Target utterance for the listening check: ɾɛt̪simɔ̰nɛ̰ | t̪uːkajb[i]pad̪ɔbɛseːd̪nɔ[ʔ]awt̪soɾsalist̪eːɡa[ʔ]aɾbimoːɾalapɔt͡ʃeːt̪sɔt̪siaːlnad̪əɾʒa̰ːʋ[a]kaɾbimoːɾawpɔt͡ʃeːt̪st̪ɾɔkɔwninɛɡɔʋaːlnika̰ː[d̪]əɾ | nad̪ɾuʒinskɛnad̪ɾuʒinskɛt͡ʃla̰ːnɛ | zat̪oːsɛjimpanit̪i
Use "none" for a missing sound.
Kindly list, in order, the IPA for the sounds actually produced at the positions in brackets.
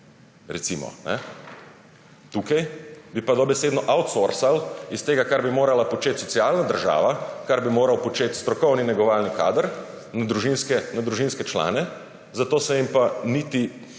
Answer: i, ʔ, k, a, d̪

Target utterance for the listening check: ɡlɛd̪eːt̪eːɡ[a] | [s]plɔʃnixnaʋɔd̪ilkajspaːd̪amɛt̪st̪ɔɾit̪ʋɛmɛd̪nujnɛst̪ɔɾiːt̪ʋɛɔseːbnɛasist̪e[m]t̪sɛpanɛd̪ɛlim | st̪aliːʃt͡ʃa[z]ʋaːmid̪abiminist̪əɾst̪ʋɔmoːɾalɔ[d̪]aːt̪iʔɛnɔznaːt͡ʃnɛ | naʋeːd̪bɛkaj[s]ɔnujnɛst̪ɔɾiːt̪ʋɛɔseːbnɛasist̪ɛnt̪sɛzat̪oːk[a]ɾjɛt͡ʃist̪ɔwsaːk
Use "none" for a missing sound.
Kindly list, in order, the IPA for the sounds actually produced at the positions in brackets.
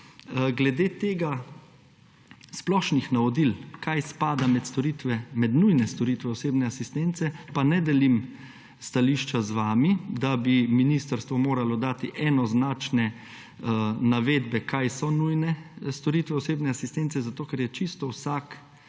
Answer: a, s, n, z, d̪, s, ɛ

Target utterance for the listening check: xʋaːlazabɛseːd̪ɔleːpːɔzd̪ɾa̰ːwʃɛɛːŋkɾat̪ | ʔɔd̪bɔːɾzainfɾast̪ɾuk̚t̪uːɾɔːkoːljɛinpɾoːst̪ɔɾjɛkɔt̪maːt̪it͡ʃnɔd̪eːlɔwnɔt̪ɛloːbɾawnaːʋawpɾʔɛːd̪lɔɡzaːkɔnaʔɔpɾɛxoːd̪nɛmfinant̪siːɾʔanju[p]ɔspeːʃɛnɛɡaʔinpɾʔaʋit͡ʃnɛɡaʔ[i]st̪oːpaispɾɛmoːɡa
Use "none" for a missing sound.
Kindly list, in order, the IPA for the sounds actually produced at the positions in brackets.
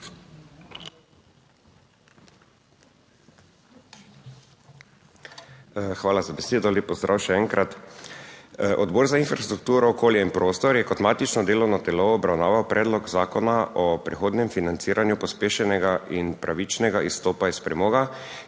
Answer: p, i

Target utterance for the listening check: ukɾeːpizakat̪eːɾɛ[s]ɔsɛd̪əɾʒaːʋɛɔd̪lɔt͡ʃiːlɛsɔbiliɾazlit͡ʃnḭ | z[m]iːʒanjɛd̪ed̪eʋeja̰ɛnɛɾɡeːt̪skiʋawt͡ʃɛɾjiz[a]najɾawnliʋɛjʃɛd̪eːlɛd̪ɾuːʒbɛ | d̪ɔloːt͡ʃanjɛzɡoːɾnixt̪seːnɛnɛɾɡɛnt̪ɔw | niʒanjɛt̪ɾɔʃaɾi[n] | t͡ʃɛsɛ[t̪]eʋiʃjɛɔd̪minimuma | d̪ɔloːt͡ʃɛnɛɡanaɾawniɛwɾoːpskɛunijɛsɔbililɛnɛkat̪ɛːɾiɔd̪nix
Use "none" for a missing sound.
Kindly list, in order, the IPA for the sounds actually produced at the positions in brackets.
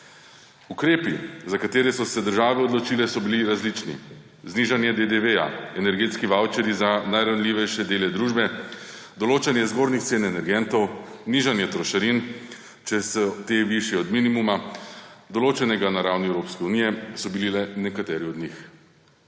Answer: s, n, a, n, t̪

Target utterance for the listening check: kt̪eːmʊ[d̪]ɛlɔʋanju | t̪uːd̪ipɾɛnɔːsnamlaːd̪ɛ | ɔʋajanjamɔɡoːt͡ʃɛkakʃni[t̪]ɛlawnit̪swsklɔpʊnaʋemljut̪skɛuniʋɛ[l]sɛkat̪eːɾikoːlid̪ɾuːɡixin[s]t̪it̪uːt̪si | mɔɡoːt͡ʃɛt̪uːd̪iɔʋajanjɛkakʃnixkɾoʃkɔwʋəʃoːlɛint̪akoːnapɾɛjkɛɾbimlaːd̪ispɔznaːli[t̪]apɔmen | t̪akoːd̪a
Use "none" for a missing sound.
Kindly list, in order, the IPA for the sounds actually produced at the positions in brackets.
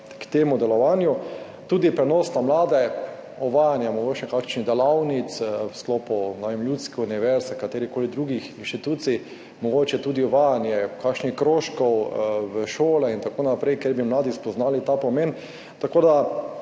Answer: d̪, d̪, ɾ, ʃ, t̪

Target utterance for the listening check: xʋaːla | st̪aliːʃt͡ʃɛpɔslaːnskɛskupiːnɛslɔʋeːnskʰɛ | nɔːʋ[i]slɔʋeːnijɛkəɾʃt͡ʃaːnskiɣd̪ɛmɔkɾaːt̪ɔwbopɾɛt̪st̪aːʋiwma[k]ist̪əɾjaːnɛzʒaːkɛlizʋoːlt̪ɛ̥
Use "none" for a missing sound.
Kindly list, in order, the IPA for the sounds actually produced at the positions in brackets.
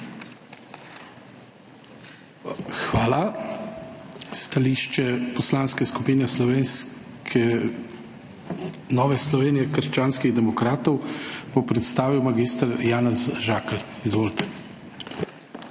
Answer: ɛ, ɡ

